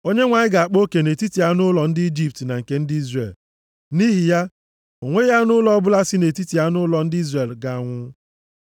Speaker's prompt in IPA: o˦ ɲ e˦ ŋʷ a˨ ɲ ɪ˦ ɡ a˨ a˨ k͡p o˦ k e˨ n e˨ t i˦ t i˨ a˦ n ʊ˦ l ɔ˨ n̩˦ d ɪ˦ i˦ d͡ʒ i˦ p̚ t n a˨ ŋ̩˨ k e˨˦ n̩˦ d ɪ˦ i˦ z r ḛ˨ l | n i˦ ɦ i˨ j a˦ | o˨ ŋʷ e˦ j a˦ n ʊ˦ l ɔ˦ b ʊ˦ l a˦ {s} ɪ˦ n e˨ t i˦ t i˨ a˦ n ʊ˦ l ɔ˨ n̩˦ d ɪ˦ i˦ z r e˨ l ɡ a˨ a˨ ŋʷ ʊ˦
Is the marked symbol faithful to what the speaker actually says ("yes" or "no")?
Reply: yes